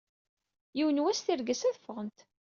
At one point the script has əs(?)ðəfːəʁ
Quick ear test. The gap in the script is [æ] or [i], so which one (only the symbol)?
æ